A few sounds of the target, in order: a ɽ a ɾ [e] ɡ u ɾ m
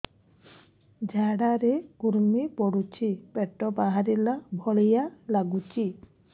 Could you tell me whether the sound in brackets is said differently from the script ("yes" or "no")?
no